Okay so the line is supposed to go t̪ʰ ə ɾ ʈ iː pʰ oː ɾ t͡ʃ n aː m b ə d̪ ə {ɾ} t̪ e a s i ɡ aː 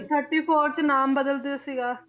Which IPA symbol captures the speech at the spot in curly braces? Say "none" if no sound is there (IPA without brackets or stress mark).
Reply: l